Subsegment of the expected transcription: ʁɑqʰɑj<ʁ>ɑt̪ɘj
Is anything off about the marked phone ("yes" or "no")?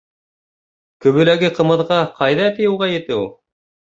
yes